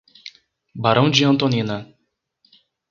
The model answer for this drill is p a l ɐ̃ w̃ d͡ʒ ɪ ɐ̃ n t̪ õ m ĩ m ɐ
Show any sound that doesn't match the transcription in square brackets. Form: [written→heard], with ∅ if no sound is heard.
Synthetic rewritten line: [p→b] a [l→ɾ] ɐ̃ w̃ d͡ʒ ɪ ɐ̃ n t̪ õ [m→n] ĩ [m→n] ɐ